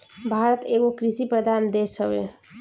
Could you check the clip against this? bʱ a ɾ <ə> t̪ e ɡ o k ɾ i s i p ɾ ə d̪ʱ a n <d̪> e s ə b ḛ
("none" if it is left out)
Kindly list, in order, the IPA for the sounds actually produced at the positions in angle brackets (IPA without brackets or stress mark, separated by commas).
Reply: ə, d̪